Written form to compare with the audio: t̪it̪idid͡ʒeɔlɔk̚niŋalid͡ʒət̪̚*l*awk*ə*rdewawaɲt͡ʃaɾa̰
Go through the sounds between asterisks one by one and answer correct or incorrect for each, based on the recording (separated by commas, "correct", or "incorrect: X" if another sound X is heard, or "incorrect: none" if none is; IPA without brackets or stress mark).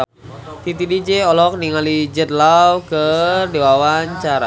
correct, correct